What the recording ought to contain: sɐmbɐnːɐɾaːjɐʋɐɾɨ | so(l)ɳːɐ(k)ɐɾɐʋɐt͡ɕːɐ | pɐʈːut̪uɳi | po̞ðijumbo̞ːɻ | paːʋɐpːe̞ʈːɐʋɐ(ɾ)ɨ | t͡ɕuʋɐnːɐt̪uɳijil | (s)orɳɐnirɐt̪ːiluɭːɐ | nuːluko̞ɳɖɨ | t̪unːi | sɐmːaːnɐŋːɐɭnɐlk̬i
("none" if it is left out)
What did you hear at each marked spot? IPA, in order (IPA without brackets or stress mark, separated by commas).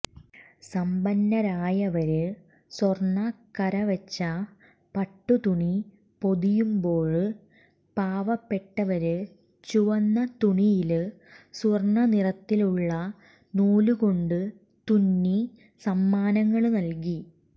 r, k, ɾ, s